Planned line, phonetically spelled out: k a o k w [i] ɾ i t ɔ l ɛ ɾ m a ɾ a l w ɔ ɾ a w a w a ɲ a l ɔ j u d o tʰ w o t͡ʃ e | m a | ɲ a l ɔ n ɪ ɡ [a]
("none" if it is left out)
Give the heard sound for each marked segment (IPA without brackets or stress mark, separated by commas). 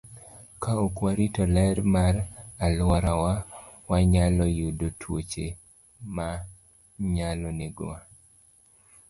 a, a